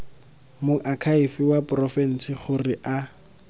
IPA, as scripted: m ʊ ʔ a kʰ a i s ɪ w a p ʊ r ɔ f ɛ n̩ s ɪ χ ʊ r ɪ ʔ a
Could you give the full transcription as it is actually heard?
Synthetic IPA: m ʊ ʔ a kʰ a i f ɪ w a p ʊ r ɔ f ɛ n̩ s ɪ χ ʊ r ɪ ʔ a